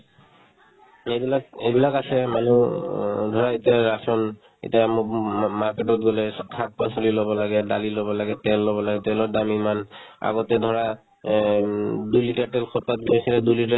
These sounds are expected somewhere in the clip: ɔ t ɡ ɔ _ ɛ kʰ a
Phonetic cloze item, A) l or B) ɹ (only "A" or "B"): A